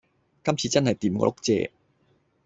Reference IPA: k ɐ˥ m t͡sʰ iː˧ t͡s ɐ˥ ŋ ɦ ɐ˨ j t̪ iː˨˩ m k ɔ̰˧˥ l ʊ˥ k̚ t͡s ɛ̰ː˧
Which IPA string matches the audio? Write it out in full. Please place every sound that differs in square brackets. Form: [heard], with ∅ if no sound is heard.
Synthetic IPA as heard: k ɐ˥ m t͡sʰ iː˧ t͡s ɐ˥ [n] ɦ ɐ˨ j t̪ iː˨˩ m k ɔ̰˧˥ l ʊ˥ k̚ t͡s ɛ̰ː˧